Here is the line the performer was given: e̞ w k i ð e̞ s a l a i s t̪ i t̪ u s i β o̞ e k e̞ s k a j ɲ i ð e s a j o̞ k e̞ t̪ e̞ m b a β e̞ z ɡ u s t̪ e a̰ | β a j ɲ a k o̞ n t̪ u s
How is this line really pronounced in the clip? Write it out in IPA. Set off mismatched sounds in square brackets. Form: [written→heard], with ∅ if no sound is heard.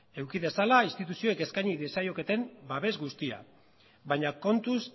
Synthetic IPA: e̞ w k i ð e̞ s a l a i s t̪ i t̪ u s i [β→∅] o̞ e k e̞ s k a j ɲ i ð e s a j o̞ k e̞ t̪ e̞ m b a β e̞ z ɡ u s t̪ [e→i] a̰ | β a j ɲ a k o̞ n t̪ u s